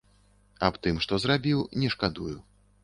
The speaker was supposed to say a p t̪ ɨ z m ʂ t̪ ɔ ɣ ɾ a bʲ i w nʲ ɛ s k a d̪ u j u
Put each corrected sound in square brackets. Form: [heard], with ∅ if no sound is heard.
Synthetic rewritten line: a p t̪ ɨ [∅] m ʂ t̪ ɔ [z] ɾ a bʲ i w nʲ ɛ [ʂ] k a d̪ u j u